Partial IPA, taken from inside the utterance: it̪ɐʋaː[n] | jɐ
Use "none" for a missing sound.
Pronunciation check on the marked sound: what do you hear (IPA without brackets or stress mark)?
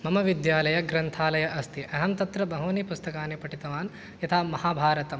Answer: n